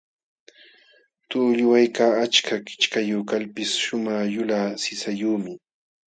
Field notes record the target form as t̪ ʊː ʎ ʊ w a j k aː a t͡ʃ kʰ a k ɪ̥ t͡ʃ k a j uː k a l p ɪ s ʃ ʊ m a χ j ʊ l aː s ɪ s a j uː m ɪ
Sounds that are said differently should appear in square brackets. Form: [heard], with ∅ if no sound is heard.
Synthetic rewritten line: t̪ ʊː ʎ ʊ w a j k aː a t͡ʃ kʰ a k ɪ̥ t͡ʃ k a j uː k a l p ɪ s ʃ ʊ m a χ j ʊ l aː s ɪ s a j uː m ɪ